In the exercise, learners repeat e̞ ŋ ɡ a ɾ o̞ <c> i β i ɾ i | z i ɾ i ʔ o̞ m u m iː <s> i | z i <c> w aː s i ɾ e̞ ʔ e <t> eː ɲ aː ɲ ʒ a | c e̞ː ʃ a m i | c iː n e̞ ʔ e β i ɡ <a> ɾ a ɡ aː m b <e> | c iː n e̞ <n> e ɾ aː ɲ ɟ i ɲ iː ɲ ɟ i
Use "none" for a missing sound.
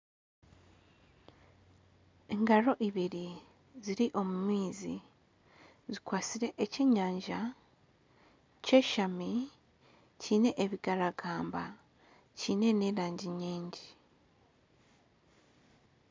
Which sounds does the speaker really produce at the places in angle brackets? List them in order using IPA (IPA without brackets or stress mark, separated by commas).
ʔ, z, k, c, a, a, n